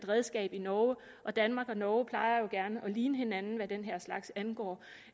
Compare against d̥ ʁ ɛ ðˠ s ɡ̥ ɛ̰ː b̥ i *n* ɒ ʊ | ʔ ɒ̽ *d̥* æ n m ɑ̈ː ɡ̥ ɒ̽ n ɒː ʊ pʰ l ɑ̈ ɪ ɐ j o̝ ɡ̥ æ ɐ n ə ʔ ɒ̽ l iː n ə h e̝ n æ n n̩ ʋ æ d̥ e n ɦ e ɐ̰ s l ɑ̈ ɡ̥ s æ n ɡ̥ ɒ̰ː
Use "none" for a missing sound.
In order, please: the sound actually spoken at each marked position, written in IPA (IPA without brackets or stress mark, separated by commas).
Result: n, d̥